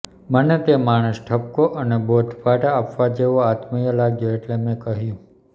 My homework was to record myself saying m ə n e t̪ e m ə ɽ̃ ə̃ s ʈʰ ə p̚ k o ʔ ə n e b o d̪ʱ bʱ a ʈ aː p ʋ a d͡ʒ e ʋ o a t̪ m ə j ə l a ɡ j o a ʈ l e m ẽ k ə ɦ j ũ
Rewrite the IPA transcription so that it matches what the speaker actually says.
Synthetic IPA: m ə n e t̪ e m a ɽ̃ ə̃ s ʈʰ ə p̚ k o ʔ ə n e b o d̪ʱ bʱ a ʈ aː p ʋ a d͡ʒ e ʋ o a t̪ m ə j ə l a ɡ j o e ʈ l e m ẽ k ə ɦ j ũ